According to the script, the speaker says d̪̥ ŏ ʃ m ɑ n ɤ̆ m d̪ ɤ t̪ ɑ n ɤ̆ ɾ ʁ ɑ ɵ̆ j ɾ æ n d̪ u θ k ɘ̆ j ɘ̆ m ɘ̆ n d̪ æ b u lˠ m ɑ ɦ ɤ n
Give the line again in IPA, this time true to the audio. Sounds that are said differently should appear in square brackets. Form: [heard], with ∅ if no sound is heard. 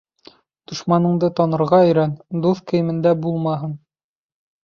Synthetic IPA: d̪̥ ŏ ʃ m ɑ n ɤ̆ [ɴ] d̪ ɤ t̪ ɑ n ɤ̆ ɾ ʁ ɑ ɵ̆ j ɾ æ n d̪ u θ k ɘ̆ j ɘ̆ m ɘ̆ n d̪ æ b u lˠ m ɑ ɦ ɤ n